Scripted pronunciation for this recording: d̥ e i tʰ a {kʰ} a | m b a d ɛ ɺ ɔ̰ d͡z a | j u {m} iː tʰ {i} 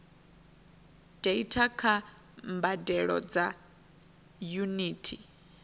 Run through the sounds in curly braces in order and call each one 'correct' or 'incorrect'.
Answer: correct, incorrect, correct

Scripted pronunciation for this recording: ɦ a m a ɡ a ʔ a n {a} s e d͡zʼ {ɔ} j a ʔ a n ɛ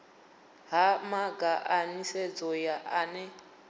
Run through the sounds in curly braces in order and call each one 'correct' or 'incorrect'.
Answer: incorrect, correct

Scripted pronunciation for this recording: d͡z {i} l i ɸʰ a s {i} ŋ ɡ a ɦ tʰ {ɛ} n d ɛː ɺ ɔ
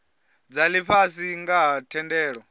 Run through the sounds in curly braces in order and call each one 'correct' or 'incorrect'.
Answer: incorrect, correct, correct

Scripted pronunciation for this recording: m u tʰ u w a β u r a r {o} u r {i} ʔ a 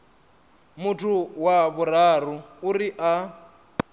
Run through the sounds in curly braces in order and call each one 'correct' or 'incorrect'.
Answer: incorrect, correct

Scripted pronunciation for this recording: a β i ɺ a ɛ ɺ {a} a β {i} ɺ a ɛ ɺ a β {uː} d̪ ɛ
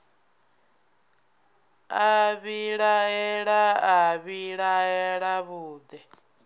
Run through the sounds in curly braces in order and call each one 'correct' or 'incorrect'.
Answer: correct, correct, correct

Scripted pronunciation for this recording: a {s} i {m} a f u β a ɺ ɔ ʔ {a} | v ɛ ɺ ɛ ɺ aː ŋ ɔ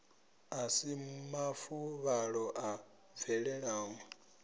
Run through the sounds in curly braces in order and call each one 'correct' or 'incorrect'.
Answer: correct, correct, correct

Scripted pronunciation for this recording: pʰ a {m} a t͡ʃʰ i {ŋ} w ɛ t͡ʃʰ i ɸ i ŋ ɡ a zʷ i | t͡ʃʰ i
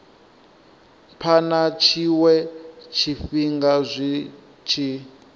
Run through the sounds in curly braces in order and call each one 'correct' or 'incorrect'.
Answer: incorrect, incorrect

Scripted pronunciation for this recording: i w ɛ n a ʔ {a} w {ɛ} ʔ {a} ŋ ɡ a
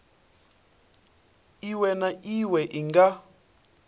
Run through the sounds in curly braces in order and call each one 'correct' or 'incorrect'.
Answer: incorrect, correct, incorrect

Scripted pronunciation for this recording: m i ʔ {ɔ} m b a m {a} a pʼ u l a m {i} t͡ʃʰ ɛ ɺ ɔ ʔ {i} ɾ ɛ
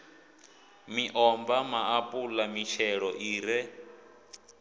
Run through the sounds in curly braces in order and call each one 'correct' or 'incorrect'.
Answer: correct, correct, correct, incorrect

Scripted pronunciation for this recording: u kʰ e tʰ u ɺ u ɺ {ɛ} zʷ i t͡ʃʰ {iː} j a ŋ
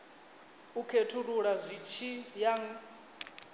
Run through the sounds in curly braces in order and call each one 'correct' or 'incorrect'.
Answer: incorrect, incorrect

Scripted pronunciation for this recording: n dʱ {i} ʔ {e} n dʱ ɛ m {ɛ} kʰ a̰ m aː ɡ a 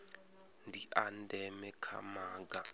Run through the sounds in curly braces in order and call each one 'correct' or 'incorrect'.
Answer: correct, incorrect, correct

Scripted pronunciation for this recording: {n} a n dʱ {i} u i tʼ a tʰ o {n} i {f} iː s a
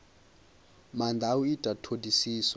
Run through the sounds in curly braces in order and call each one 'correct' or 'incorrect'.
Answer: incorrect, incorrect, incorrect, incorrect

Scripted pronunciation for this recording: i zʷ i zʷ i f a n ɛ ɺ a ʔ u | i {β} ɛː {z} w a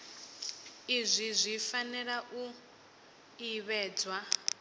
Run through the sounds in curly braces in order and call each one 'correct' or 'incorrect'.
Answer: correct, incorrect

